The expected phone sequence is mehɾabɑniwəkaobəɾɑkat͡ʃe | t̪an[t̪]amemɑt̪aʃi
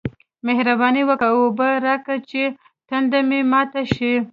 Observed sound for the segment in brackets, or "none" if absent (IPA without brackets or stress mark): d̪